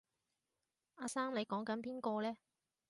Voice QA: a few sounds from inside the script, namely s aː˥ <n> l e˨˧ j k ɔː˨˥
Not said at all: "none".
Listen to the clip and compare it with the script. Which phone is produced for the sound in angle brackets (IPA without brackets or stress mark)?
m